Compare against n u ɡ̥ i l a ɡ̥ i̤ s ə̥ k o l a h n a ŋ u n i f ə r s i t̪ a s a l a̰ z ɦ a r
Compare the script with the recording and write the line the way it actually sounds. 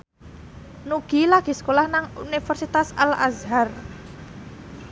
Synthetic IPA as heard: n u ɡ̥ i l a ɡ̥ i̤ s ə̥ k o l a h n a ŋ u n i f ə r s i t̪ a s a l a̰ z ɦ a r